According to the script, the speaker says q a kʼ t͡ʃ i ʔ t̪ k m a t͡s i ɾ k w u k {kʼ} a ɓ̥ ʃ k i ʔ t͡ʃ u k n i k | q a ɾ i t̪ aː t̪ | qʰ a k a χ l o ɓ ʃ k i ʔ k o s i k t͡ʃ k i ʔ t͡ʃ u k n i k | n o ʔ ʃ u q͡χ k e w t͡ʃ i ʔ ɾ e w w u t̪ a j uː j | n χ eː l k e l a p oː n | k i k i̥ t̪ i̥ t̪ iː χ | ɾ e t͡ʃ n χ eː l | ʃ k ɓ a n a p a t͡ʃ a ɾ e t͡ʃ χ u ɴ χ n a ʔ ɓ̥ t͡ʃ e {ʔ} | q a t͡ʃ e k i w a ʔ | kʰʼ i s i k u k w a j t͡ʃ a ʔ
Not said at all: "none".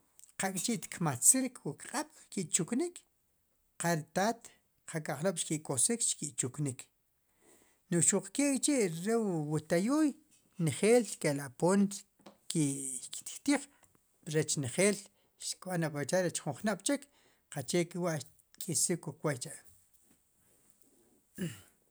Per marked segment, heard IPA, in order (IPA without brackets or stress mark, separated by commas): qʼ, k